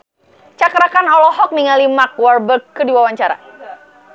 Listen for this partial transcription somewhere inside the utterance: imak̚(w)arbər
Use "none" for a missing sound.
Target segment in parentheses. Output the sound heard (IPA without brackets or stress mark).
w